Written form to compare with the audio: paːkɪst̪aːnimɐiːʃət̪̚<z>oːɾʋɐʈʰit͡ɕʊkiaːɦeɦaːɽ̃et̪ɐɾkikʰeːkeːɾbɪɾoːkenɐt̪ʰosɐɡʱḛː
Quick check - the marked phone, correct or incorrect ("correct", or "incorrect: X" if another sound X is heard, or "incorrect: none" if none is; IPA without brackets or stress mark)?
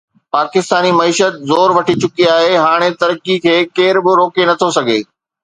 correct